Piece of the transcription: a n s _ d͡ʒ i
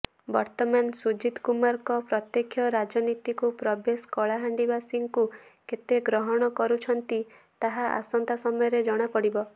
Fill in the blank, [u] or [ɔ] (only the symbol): u